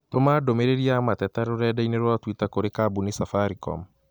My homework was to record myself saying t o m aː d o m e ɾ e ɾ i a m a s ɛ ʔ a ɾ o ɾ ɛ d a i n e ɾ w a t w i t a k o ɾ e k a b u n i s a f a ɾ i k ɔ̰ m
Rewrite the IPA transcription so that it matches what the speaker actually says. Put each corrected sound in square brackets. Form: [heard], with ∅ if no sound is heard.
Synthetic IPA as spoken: t o m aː d o m e ɾ e ɾ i a m a [t] ɛ [t] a ɾ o ɾ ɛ d a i n e ɾ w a t w i t a k o ɾ e k a b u n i s a f a ɾ i k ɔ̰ m